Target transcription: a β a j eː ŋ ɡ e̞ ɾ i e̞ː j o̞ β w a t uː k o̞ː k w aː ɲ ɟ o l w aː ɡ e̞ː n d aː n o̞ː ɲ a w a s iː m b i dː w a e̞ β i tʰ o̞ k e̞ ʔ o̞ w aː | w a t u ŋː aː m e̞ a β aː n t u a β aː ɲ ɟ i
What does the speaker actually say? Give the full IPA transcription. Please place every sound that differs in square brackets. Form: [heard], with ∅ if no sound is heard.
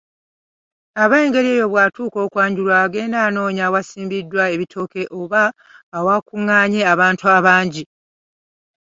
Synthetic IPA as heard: a β a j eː ŋ ɡ e̞ ɾ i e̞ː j o̞ β w a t uː k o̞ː k w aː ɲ ɟ [u] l w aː ɡ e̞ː n d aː n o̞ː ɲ a w a s iː m b i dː w a e̞ β i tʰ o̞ k e̞ ʔ o̞ [β] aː | w a [k] u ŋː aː [ɲ] e̞ a β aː n t u a β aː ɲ ɟ i

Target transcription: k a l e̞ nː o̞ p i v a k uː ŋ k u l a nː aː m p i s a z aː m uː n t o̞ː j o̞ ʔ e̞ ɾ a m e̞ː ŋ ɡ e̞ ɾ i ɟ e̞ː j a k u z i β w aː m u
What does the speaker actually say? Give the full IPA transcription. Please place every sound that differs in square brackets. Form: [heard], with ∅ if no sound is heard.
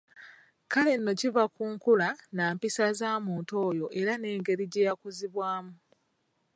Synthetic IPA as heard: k a l e̞ nː o̞ [c] i v a k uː ŋ k u l a [n] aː m p i s a z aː m uː n t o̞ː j o̞ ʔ e̞ ɾ a [n] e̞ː ŋ ɡ e̞ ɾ i ɟ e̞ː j a k u z i β w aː m u

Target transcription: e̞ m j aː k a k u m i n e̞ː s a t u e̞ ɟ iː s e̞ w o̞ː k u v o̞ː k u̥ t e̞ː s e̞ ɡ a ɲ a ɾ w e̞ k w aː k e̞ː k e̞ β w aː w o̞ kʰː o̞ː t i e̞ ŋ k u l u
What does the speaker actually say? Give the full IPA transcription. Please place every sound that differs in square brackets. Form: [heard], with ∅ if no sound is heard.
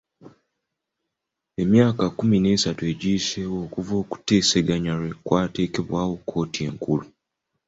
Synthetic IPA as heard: e̞ m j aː k a k u m i n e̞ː s a t u e̞ ɟ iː s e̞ w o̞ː k u v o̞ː k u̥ t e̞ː s e̞ ɡ a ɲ a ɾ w e̞ k w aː [t] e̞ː k e̞ β w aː w o̞ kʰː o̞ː t i e̞ ŋ k u l u

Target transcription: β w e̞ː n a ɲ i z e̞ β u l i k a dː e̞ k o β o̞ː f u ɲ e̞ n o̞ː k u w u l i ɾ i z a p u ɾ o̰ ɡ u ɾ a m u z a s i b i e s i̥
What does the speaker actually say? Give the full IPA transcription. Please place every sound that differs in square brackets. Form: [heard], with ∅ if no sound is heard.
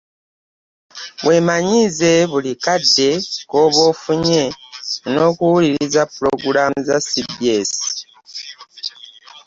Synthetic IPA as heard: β w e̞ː [m] a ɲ i z e̞ β u l i k a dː e̞ k o β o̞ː f u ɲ e̞ n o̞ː k u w u l i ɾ i z a p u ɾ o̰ ɡ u ɾ a m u z a s i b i e s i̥

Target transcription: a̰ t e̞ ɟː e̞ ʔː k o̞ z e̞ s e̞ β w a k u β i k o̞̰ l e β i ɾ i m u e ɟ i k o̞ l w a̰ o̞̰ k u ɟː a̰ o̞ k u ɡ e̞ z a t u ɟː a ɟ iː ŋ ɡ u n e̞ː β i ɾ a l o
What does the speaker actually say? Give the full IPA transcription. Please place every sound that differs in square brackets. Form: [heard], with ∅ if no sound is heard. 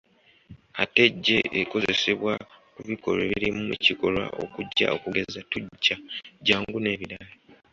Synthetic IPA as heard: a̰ t e̞ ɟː e̞ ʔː k o̞ z e̞ s e̞ β w a k u β i k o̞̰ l e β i ɾ i m u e [c] i k o̞ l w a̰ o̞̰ k u ɟː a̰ o̞ k u ɡ e̞ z a t u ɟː a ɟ [aː] ŋ ɡ u n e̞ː β i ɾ a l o

